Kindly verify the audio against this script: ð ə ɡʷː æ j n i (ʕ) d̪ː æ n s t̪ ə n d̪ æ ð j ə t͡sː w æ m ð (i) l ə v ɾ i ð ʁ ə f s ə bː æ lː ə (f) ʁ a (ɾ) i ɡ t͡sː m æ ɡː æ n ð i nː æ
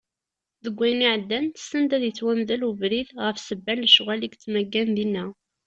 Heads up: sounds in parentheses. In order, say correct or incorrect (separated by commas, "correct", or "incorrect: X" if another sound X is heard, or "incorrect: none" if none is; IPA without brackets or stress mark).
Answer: correct, incorrect: æ, incorrect: ʃ, incorrect: l